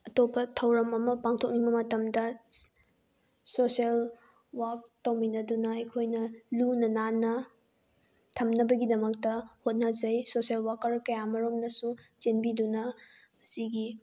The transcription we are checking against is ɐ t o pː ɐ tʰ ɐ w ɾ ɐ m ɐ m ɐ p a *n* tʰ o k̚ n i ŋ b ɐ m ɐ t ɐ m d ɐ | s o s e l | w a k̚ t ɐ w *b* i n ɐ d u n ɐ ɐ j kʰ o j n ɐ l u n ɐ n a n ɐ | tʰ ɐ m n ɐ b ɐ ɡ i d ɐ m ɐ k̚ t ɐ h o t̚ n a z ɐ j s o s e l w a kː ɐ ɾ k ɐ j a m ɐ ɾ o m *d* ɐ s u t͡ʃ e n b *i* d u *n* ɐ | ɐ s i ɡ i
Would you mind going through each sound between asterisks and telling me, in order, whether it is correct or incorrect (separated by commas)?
incorrect, incorrect, incorrect, correct, correct